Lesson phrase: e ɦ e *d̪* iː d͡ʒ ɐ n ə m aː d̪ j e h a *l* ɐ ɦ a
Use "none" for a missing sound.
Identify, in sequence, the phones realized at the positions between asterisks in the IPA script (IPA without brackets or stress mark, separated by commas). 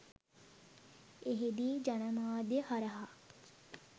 d̪, ɾ